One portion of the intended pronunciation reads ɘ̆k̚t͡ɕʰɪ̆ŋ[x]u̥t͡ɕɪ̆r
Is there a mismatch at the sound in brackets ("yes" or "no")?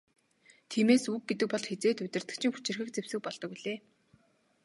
no